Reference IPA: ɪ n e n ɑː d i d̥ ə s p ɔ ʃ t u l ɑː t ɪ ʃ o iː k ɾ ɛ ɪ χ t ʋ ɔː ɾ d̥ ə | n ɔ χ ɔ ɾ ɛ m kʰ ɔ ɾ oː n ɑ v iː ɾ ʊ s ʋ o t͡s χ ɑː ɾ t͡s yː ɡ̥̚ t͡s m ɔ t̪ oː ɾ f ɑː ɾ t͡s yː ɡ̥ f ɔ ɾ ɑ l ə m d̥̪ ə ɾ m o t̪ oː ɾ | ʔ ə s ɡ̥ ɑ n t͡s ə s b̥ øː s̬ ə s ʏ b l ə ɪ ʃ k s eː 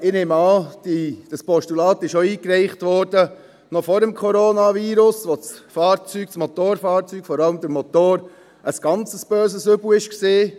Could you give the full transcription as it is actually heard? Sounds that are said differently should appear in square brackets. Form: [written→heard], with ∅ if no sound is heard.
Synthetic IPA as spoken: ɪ n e [n→m] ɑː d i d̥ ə s p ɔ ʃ t u l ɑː t ɪ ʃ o iː k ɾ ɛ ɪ χ t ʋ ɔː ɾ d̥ ə | n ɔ [χ→f] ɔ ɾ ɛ m kʰ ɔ ɾ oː n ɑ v iː ɾ ʊ s ʋ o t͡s [χ→f] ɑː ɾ t͡s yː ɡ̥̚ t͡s m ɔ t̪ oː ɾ f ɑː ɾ t͡s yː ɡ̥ f ɔ ɾ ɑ l ə m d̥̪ ə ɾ m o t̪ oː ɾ | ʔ ə s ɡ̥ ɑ n t͡s ə s b̥ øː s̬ ə s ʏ b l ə ɪ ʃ k s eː